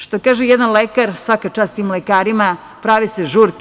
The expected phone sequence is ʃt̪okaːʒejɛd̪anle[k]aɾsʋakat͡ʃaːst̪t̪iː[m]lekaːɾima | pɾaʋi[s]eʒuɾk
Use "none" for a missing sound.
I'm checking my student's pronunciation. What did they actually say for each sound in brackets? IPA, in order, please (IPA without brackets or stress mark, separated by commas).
k, m, s